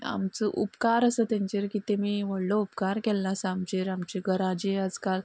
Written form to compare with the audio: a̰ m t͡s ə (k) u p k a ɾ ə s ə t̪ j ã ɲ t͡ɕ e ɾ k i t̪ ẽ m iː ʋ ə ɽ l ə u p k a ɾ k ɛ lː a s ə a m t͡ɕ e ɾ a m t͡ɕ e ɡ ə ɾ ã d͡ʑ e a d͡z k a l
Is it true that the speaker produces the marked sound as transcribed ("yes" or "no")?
no